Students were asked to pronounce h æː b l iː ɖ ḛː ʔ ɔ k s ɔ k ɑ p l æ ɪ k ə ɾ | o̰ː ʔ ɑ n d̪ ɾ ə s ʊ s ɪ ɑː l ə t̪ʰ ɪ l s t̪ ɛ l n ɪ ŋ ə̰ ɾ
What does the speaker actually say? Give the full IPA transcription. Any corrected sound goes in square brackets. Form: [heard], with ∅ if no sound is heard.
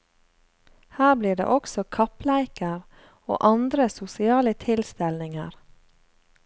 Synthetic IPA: h æː b l iː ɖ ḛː ʔ ɔ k s ɔ [kʰ] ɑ p l æ ɪ k ə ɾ | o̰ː ʔ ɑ n d̪ ɾ ə s ʊ s ɪ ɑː l ə t̪ʰ ɪ l s t̪ ɛ l n ɪ ŋ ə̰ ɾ